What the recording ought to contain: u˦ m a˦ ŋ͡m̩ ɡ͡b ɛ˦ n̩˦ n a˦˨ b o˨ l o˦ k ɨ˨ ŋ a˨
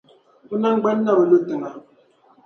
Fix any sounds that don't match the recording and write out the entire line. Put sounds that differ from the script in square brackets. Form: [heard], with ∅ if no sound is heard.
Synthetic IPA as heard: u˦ [n] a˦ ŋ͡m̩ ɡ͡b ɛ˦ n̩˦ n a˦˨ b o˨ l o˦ [t] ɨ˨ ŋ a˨